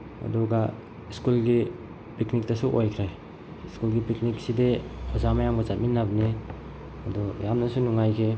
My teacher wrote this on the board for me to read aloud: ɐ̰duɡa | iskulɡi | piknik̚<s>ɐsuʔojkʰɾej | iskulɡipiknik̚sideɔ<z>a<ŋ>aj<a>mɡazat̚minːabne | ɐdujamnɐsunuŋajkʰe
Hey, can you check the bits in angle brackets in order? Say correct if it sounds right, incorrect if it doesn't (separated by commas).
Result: incorrect, correct, incorrect, correct